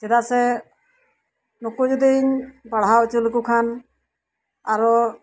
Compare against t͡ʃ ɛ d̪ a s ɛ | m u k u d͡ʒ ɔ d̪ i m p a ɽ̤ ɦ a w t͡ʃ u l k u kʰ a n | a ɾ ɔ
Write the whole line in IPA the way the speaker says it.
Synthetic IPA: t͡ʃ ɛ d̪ a s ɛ | n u k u d͡ʒ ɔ d̪ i ɲ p a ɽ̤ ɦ a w t͡ʃ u l k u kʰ a n | a ɾ ɔ